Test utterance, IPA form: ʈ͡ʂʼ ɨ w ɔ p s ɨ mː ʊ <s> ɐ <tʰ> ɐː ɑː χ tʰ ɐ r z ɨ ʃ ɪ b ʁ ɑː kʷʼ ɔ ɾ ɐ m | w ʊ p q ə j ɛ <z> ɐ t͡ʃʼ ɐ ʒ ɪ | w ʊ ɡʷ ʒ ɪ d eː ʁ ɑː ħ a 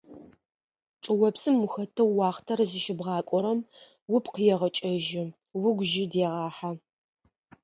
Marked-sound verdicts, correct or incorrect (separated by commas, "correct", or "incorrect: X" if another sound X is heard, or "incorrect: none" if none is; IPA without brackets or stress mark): incorrect: x, correct, incorrect: ʁ